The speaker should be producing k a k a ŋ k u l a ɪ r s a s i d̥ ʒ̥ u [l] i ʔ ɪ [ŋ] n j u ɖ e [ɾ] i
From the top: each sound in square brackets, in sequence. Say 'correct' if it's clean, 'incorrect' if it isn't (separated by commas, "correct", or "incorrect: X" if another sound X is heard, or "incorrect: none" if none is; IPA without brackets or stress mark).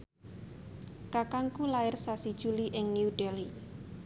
correct, correct, incorrect: l